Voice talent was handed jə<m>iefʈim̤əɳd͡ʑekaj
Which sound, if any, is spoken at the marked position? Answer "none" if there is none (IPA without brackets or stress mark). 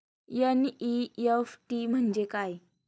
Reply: n